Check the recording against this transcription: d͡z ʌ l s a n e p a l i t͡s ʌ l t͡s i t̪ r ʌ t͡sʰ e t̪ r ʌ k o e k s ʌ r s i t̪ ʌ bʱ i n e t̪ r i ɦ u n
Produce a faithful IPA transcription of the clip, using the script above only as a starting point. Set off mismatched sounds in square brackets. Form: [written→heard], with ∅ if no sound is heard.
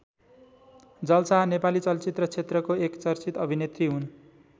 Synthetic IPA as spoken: d͡z ʌ l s a n e p a l i t͡s ʌ l t͡s i t̪ r ʌ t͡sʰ e t̪ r ʌ k o e k [s→t͡s] ʌ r [s→t͡s] i t̪ ʌ bʱ i n e t̪ r i ɦ u n